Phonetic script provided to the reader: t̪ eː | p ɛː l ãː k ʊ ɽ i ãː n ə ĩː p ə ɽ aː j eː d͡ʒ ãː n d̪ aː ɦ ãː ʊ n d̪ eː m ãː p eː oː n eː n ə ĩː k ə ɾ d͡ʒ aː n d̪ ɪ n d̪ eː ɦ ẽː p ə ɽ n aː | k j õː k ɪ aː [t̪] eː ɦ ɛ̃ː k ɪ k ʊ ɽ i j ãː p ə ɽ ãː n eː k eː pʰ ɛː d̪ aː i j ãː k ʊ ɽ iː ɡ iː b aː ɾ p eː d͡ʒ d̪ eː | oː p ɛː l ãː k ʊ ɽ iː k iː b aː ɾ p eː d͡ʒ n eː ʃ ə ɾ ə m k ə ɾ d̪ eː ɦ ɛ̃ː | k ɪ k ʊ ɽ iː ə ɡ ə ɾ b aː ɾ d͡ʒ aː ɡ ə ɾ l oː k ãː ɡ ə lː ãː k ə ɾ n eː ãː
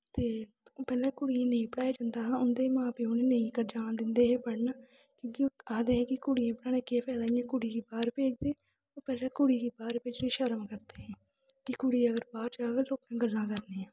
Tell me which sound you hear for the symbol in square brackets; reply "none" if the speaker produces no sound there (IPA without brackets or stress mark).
d̪